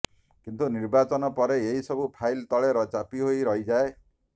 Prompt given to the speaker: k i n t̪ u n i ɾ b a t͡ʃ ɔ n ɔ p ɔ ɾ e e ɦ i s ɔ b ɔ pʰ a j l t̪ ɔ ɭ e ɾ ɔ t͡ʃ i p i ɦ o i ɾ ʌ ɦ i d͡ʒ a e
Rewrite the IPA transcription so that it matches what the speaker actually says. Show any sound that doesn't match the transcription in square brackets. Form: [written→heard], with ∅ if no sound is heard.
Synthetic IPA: k i n t̪ u n i ɾ b a t͡ʃ ɔ n ɔ p ɔ ɾ e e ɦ i s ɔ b [ɔ→u] pʰ a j l t̪ ɔ ɭ e ɾ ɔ t͡ʃ [i→a] p i ɦ o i ɾ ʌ ɦ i d͡ʒ a e

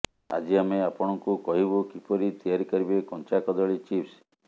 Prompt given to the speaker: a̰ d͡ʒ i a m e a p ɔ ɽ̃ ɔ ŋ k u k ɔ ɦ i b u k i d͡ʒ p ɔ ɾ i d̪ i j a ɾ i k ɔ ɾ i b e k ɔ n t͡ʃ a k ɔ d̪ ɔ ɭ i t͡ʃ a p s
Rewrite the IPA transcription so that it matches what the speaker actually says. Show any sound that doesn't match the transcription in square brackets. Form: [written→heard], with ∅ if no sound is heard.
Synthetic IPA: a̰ d͡ʒ i a m e a p ɔ ɽ̃ ɔ ŋ k u k ɔ ɦ i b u k i [d͡ʒ→∅] p ɔ ɾ i [d̪→t̪] i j a ɾ i k ɔ ɾ i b e k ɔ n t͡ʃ a k ɔ d̪ ɔ ɭ i t͡ʃ [a→i] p s

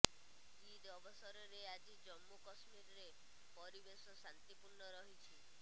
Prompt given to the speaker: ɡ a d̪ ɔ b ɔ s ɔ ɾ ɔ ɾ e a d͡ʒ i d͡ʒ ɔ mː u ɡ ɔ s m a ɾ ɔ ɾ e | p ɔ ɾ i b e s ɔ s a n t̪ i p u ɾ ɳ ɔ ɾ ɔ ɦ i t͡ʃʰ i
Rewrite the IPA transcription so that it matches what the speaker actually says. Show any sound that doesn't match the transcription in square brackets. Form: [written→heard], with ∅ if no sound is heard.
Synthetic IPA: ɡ [a→i] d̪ ɔ b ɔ s ɔ ɾ ɔ ɾ e a d͡ʒ i d͡ʒ ɔ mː u [ɡ→k] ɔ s m [a→i] ɾ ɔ ɾ e | p ɔ ɾ i b e s ɔ s a n t̪ i p u ɾ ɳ ɔ ɾ ɔ ɦ i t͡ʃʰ i

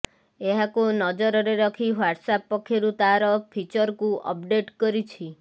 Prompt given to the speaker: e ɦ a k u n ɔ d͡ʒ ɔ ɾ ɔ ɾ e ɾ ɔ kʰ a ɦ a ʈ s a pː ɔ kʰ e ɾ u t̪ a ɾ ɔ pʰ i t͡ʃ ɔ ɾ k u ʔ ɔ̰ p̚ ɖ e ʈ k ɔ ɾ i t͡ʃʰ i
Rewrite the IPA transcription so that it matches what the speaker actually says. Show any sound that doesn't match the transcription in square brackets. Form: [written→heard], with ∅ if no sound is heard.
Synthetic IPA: e ɦ a k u n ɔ d͡ʒ ɔ ɾ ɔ ɾ e ɾ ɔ kʰ [a→i] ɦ a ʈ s a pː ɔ kʰ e ɾ u t̪ a ɾ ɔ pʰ i t͡ʃ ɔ ɾ k u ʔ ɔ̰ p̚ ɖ e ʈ k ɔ ɾ i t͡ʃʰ i

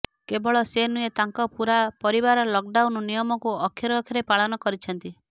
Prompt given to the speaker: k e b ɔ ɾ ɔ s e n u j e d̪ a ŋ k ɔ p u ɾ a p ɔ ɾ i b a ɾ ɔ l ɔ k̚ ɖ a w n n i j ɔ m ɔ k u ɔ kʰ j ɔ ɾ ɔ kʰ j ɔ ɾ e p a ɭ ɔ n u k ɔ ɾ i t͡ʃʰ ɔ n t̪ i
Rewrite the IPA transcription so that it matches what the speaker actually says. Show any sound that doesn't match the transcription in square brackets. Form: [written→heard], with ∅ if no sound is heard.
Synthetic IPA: k e b ɔ [ɾ→ɭ] ɔ s e n u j e [d̪→t̪] a ŋ k ɔ p u ɾ a p ɔ ɾ i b a ɾ ɔ l ɔ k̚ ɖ a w n n i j ɔ m ɔ k u ɔ kʰ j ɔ ɾ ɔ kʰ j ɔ ɾ e p a ɭ ɔ n [u→ɔ] k ɔ ɾ i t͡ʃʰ ɔ n t̪ i

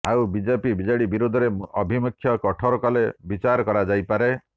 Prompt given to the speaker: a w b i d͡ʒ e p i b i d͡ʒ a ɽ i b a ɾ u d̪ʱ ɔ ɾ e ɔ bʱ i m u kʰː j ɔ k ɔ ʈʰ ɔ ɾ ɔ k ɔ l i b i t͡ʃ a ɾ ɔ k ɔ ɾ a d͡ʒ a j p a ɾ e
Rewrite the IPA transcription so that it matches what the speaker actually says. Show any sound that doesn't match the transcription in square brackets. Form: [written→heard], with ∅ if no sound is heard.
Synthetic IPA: a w b i d͡ʒ e p i b i d͡ʒ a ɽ i b [a→i] ɾ u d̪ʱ ɔ ɾ e ɔ bʱ i m u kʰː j ɔ k ɔ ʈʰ ɔ ɾ ɔ k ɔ l [i→e] b i t͡ʃ a ɾ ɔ k ɔ ɾ a d͡ʒ a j p a ɾ e

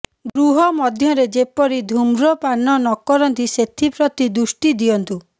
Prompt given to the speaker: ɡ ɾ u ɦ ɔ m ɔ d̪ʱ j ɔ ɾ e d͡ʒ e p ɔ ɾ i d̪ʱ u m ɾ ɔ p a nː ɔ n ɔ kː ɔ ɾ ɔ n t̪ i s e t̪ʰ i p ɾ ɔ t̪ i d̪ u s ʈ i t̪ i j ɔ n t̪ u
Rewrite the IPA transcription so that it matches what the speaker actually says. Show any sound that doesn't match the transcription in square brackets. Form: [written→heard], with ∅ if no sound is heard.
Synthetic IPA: ɡ ɾ u ɦ ɔ m ɔ d̪ʱ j ɔ ɾ e d͡ʒ e p ɔ ɾ i d̪ʱ u m ɾ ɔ p a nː ɔ n ɔ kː ɔ ɾ ɔ n t̪ i s e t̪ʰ i p ɾ ɔ t̪ i d̪ u s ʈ i [t̪→d̪] i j ɔ n t̪ u

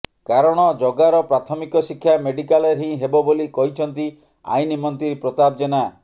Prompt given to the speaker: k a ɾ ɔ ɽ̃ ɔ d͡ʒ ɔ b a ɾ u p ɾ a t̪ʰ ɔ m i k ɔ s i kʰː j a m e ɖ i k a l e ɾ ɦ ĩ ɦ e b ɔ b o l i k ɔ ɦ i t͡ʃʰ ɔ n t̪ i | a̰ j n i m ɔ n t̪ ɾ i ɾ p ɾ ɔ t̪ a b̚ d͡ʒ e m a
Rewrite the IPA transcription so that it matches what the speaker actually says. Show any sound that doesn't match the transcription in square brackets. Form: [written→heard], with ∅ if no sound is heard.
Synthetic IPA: k a ɾ ɔ ɽ̃ ɔ d͡ʒ ɔ [b→ɡ] a ɾ [u→ɔ] p ɾ a t̪ʰ ɔ m i k ɔ s i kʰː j a m e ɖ i k a l e ɾ ɦ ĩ ɦ e b ɔ b o l i k ɔ ɦ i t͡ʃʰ ɔ n t̪ i | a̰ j n i m ɔ n t̪ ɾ i ɾ p ɾ ɔ t̪ a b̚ d͡ʒ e [m→n] a

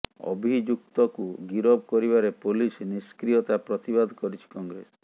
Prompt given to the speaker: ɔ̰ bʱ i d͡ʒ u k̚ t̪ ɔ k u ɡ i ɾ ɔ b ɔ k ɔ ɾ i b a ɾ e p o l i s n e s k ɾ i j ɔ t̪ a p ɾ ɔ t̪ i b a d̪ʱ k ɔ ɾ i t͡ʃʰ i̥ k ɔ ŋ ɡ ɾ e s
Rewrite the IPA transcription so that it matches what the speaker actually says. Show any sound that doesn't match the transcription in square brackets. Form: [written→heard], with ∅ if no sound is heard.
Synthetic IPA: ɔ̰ bʱ i d͡ʒ u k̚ t̪ ɔ k u ɡ i ɾ ɔ b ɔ k ɔ ɾ i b a ɾ e p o l i s n [e→i] s k ɾ i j ɔ t̪ a p ɾ ɔ t̪ i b a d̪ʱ k ɔ ɾ i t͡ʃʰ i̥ k ɔ ŋ ɡ ɾ e s

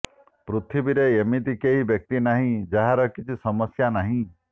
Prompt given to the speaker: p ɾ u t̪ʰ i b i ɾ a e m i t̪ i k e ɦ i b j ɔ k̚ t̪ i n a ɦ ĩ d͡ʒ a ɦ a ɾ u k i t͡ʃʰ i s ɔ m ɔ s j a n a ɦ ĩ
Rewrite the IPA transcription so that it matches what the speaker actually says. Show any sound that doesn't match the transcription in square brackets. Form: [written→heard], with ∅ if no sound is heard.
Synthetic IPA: p ɾ u t̪ʰ i b i ɾ [a→e] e m i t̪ i k e ɦ i b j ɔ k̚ t̪ i n a ɦ ĩ d͡ʒ a ɦ a ɾ [u→ɔ] k i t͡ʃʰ i s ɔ m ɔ s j a n a ɦ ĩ

